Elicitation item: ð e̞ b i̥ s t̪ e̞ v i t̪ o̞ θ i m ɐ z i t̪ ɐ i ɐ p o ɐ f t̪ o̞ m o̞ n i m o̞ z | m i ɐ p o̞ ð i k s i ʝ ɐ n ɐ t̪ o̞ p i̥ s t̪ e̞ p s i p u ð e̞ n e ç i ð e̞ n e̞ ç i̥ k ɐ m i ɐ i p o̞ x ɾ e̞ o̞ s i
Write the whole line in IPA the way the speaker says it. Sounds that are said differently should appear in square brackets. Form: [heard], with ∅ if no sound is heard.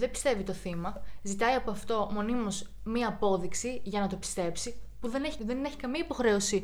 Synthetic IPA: ð e̞ b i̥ s t̪ e̞ v i t̪ o̞ θ i m ɐ z i t̪ ɐ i ɐ p o ɐ f t̪ o̞ m o̞ n i m o̞ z | m i [ɐː] p o̞ ð i k s i ʝ ɐ n ɐ t̪ o̞ p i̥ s t̪ e̞ p s i p u ð e̞ n e ç i ð e̞ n e̞ ç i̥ k ɐ m i ɐ i p o̞ x ɾ e̞ o̞ s i